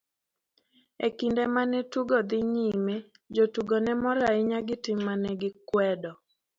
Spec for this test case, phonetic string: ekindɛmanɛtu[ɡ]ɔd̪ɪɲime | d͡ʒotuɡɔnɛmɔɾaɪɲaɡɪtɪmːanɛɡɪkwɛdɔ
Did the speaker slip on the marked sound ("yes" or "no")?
no